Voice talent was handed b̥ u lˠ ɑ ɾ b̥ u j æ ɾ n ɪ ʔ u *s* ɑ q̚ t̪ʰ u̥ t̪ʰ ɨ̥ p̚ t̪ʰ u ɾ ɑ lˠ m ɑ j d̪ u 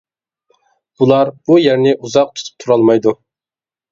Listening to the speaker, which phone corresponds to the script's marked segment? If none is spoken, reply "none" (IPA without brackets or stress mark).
z